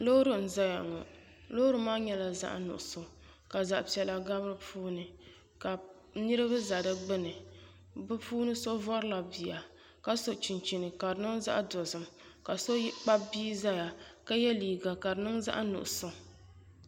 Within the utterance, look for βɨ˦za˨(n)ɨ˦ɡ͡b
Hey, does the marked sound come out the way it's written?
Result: no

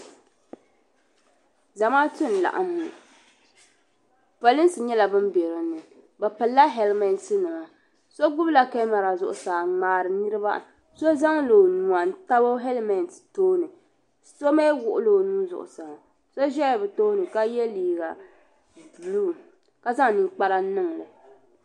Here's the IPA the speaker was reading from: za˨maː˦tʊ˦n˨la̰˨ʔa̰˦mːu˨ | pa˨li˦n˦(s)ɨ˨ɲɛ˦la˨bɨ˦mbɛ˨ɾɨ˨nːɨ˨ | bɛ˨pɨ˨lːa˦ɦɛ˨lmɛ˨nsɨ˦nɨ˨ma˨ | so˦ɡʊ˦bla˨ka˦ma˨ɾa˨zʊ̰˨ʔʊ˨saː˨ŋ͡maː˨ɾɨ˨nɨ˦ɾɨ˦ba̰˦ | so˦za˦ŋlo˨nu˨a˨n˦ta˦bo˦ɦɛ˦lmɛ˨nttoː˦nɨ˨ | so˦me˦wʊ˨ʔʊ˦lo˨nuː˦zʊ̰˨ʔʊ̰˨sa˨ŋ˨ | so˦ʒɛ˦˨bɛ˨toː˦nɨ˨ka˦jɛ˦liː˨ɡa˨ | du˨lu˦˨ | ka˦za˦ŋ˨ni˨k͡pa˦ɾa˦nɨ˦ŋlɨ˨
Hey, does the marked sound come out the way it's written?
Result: yes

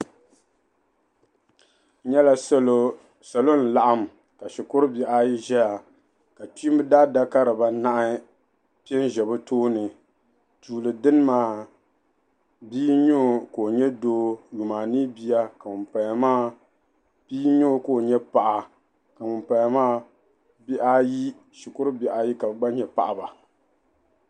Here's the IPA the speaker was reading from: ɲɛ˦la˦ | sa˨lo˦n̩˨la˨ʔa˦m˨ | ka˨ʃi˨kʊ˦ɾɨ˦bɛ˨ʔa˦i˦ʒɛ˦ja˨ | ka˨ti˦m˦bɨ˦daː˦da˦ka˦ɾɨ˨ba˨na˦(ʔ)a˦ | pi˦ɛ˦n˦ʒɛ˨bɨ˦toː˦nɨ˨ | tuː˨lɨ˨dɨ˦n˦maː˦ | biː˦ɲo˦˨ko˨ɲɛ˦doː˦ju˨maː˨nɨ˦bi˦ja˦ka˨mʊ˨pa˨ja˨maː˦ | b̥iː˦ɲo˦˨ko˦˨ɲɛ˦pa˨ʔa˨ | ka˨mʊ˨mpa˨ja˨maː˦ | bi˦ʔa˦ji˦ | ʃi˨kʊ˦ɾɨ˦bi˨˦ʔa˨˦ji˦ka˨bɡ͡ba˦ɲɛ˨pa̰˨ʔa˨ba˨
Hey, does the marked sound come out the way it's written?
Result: yes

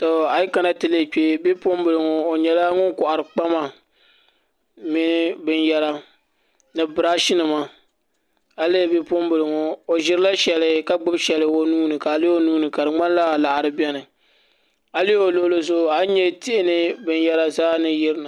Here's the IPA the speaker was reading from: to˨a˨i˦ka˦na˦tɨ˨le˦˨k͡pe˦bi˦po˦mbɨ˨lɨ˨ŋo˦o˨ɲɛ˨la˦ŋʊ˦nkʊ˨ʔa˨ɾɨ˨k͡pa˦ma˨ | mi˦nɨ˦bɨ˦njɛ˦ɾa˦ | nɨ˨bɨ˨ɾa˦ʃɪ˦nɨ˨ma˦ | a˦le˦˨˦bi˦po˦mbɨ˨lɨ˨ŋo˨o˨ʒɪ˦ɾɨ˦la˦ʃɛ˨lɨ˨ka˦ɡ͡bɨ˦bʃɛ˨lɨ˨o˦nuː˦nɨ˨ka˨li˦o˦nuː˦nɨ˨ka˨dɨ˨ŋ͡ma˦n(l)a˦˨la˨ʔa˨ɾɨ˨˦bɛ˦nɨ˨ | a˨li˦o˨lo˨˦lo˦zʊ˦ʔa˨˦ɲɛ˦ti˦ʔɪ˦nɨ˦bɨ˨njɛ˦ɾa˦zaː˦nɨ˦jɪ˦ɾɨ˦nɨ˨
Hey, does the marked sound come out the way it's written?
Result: yes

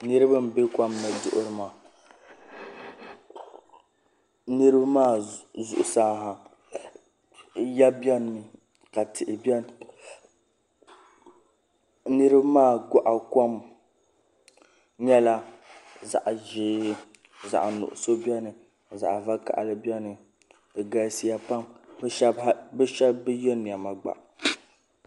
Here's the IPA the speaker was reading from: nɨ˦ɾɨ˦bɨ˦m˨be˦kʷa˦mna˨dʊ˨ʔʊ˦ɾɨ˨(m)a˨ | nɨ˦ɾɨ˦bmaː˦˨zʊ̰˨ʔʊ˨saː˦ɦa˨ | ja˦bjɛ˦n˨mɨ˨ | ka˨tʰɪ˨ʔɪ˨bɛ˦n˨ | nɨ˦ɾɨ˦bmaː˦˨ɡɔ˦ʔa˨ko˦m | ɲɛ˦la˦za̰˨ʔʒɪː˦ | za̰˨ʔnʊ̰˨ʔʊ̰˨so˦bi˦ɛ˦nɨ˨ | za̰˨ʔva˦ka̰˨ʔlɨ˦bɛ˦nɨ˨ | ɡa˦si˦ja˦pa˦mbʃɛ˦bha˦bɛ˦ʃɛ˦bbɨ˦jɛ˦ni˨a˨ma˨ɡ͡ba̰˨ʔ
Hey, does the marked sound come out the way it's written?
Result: yes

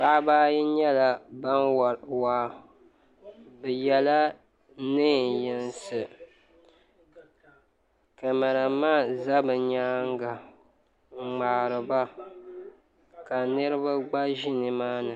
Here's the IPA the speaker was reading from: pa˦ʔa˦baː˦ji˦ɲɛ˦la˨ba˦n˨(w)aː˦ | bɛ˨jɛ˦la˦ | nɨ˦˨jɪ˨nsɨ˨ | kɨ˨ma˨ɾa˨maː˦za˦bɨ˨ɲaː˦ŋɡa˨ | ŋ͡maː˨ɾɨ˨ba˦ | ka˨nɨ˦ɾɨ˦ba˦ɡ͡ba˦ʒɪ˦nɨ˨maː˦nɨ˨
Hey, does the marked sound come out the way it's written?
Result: yes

